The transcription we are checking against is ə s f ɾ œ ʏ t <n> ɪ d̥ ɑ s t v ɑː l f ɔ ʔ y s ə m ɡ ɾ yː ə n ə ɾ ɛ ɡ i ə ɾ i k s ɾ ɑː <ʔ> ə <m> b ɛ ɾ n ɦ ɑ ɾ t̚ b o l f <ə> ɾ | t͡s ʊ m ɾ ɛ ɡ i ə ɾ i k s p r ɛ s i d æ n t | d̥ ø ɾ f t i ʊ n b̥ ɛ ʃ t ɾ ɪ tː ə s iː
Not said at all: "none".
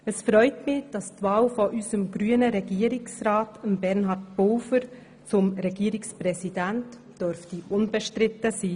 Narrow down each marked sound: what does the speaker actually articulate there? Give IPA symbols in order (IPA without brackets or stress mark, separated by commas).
m, t, m, ə